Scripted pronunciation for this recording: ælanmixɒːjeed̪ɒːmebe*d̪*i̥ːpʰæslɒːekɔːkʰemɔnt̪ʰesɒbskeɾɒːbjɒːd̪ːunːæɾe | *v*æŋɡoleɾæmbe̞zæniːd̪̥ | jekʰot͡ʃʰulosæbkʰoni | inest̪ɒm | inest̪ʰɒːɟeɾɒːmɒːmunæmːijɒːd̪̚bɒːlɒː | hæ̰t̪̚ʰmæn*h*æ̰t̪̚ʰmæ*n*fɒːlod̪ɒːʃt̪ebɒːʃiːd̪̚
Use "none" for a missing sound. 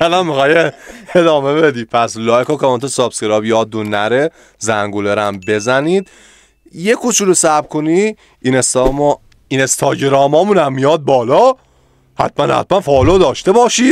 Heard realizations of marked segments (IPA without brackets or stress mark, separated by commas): d̪, z, h, n